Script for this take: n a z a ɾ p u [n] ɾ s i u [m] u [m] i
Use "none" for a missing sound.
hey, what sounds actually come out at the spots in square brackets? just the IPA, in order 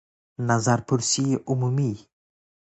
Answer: none, m, m

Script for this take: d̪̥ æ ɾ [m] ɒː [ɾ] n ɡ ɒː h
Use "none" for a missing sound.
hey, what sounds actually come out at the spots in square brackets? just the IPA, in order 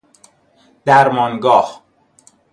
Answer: m, none

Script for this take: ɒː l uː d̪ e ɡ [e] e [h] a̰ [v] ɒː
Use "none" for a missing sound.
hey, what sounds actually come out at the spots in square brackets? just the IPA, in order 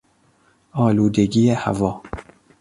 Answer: i, h, v

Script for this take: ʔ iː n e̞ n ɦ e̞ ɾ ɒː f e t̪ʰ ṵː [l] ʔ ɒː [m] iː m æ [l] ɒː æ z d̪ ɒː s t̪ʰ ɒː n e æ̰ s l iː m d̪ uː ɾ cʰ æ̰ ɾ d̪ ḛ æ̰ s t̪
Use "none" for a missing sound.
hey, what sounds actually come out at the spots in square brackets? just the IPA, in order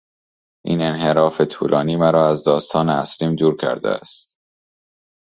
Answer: l, n, ɾ

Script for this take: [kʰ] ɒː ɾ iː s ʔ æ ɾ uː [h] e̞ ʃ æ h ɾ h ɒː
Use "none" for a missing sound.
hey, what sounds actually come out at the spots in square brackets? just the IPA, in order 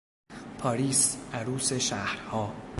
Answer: pʰ, s

